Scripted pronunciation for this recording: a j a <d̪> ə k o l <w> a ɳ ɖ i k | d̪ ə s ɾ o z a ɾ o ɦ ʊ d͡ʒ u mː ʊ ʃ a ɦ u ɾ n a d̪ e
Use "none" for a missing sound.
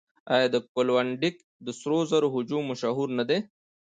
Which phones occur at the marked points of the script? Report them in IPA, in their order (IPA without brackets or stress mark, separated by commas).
d̪, w